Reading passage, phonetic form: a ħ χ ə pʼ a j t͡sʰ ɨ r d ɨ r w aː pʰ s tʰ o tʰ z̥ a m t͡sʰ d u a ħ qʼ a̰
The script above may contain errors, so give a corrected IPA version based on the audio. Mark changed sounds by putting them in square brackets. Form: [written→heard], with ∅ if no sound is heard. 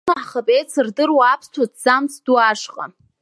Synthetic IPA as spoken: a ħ χ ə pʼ [a→e] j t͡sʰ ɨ r d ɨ r w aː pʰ s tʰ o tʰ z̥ a m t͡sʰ d u a [ħ→ʂ] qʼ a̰